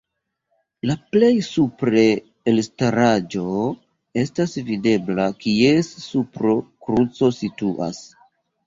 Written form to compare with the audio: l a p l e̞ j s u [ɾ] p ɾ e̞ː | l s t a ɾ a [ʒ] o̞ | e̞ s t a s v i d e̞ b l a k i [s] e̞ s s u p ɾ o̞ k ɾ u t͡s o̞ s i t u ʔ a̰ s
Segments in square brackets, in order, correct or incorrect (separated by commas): incorrect, incorrect, incorrect